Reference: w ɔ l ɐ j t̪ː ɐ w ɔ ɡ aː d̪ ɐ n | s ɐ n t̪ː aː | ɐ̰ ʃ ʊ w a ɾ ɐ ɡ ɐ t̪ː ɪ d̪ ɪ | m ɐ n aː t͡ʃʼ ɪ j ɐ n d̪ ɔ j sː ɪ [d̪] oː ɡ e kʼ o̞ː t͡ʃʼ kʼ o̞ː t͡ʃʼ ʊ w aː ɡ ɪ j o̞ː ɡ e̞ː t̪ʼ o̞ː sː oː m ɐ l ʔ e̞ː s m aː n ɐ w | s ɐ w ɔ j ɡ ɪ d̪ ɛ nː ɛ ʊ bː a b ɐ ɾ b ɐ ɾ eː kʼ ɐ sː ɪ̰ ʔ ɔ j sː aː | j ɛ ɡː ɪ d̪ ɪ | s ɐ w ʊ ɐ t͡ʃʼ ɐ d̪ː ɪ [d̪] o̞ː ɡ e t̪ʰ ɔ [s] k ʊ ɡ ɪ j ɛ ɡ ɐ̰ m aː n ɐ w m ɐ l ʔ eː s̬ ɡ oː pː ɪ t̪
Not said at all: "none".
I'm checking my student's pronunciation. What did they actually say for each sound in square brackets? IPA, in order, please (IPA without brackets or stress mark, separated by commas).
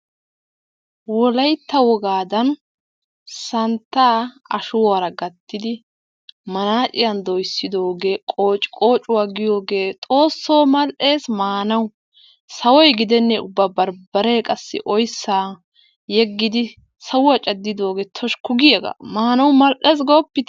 d̪, d̪, ʃ